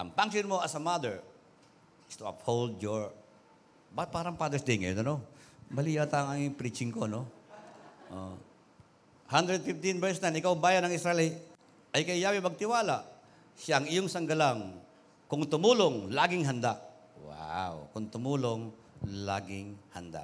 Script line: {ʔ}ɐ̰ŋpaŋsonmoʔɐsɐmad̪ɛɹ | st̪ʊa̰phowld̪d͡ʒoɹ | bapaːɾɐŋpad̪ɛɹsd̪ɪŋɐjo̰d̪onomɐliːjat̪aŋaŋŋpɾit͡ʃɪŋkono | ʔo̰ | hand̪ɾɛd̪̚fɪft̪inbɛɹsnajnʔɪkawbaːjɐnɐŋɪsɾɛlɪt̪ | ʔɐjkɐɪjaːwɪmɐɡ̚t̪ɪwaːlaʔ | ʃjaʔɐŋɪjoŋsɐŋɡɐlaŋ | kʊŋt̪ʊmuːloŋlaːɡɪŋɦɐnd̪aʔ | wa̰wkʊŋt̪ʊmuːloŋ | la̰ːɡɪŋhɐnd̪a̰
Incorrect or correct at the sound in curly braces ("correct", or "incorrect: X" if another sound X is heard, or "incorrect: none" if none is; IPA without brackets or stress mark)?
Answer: correct